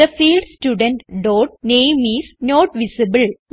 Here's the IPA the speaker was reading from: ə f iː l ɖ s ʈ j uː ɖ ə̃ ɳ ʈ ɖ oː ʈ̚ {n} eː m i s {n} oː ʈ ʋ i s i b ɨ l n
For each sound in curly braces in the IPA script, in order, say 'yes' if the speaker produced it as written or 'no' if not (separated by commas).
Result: yes, yes